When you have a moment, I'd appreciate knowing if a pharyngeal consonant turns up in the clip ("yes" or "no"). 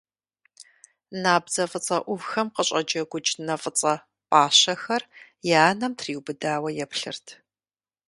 no